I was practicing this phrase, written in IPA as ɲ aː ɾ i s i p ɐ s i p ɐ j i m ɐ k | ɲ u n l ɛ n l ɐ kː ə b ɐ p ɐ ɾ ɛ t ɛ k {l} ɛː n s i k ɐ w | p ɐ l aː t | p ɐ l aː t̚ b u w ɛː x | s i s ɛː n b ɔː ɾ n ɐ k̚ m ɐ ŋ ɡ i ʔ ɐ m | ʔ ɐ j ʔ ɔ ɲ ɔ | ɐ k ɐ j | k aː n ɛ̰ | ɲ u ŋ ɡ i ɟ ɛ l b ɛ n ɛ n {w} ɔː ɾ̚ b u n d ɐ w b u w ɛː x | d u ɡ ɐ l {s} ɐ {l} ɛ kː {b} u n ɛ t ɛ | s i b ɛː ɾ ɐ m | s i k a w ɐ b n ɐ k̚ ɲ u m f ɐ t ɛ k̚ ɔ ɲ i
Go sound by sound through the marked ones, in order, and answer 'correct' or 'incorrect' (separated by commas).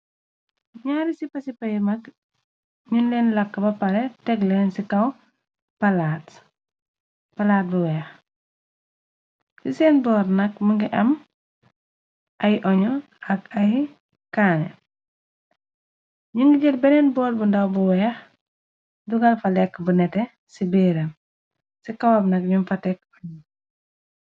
correct, incorrect, incorrect, correct, correct